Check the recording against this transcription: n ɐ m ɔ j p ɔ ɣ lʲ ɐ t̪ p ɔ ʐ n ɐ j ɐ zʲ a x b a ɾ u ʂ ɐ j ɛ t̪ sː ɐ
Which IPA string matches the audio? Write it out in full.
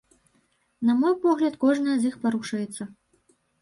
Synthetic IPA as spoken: n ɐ m ɔ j p ɔ ɣ lʲ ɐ t̪ k ɔ ʐ n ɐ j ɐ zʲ i x p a ɾ u ʂ ɐ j ɛ t̪ sː ɐ